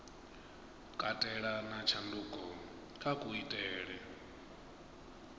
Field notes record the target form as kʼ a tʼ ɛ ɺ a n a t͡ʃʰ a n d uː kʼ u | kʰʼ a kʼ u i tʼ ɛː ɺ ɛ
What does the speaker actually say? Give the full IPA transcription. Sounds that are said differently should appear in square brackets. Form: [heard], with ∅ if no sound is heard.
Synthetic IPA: kʼ a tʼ ɛ ɺ a n a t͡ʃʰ a n d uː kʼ [ɔ] | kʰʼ a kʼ u i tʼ ɛː ɺ ɛ